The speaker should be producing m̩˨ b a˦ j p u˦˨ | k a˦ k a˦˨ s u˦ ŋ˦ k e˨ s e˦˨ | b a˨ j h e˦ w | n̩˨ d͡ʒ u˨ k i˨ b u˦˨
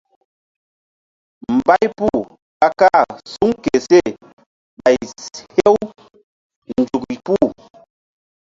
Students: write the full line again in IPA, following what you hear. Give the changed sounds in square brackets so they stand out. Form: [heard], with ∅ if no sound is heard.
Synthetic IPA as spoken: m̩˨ b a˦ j p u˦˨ | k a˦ k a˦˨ s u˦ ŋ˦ k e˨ s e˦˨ | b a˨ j h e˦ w | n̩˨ d͡ʒ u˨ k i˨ [p] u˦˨